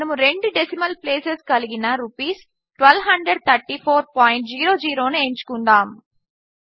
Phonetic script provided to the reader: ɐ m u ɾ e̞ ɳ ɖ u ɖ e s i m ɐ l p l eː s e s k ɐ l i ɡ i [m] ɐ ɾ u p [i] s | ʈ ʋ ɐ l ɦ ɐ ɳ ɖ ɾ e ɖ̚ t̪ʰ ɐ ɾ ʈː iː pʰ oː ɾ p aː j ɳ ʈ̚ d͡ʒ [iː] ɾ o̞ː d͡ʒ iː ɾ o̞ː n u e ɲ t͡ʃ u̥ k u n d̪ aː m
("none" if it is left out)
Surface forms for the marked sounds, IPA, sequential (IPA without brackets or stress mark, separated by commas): n, iː, iː